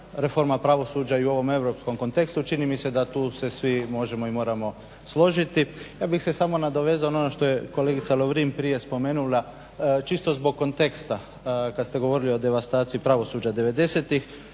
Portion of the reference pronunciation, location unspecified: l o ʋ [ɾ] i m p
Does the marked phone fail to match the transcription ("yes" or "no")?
no